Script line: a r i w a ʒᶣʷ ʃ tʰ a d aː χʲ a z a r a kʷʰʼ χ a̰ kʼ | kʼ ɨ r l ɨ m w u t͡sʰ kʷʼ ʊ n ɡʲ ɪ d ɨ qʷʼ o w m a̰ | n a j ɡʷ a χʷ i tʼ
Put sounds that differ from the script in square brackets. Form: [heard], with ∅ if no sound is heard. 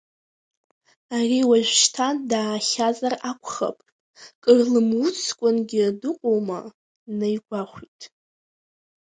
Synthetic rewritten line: a r i w a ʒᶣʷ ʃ tʰ a d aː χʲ a z a r a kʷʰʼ χ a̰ [pʼ] | kʼ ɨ r l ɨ m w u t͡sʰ kʷʼ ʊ n ɡʲ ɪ d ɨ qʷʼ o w m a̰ | n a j ɡʷ a χʷ i tʼ